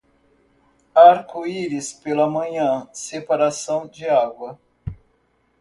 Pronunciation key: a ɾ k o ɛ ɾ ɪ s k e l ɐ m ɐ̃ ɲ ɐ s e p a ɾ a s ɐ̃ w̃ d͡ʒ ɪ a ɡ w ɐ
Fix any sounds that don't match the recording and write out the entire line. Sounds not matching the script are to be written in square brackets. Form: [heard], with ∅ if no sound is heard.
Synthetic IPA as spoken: a ɾ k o [i] ɾ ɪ s [p] e l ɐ m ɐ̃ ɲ [ɐ̃] s e p a ɾ a s ɐ̃ w̃ d͡ʒ ɪ a ɡ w ɐ